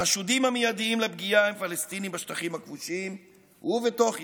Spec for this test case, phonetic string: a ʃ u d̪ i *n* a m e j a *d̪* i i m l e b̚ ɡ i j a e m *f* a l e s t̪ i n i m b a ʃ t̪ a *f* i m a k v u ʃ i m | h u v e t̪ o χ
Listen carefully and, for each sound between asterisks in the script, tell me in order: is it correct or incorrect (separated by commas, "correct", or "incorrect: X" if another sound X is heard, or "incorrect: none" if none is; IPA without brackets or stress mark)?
incorrect: m, correct, correct, incorrect: χ